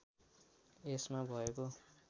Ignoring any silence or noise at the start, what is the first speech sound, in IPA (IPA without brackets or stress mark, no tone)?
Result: e